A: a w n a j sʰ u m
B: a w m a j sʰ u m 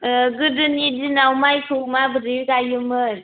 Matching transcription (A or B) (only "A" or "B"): B